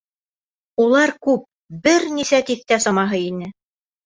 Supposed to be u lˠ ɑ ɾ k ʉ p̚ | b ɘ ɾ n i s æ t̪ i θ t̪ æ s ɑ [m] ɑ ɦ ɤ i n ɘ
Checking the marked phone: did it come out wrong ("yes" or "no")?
no